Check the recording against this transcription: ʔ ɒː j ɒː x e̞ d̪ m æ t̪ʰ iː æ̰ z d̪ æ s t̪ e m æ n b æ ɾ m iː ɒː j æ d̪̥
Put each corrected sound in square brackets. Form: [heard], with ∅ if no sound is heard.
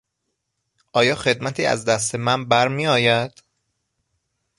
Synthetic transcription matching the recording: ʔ ɒː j ɒː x e̞ d̪ m æ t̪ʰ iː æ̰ z d̪ æ s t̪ e m æ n b æ ɾ m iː ɒː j æ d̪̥